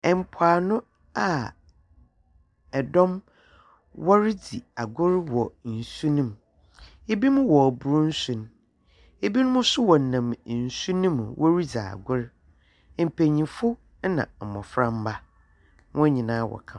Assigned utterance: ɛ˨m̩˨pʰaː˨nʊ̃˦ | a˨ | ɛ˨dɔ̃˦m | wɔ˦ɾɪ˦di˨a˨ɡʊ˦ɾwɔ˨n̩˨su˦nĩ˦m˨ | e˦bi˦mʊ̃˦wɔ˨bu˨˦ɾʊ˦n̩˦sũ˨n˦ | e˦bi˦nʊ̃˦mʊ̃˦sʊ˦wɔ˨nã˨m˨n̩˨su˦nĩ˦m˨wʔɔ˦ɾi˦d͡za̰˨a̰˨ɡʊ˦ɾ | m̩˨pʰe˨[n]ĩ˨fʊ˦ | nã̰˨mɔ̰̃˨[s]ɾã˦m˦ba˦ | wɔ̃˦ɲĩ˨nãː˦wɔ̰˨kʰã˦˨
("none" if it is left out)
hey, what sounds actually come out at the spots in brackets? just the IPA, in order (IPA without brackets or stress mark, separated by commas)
ɲ, f